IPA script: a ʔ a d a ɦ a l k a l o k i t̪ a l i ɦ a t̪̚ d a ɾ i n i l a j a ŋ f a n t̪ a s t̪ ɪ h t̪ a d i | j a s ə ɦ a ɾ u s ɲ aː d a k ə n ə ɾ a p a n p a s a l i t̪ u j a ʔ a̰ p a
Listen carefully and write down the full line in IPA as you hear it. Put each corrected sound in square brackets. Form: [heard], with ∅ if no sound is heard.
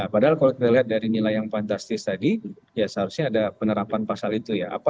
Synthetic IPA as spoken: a [p] a d a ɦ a l k a l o k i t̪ a l i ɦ a t̪̚ d a ɾ i n i l a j a ŋ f a n t̪ a s t̪ ɪ [s] t̪ a d i | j a s ə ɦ a ɾ u s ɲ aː d a [p] ə n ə ɾ a p a n p a s a l i t̪ u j a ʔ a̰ p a